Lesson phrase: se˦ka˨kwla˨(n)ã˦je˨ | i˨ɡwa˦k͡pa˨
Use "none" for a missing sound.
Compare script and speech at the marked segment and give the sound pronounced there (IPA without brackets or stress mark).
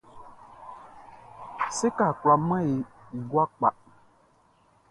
m